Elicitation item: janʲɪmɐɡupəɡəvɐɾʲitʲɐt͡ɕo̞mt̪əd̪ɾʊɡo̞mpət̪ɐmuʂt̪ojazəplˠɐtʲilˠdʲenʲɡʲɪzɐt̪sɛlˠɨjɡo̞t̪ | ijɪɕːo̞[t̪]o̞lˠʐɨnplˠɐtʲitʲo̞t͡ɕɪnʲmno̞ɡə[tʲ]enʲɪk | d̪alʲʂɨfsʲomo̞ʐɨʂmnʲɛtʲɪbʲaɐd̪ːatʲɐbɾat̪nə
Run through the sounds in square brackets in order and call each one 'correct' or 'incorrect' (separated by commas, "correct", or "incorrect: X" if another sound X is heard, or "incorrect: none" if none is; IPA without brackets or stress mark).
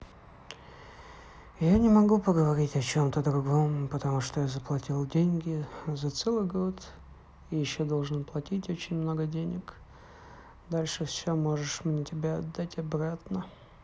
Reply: incorrect: d̪, incorrect: dʲ